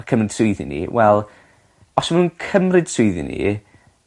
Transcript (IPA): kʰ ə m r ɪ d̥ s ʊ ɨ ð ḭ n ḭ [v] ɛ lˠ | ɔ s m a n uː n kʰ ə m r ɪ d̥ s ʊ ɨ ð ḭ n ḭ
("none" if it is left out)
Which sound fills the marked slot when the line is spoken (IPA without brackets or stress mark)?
w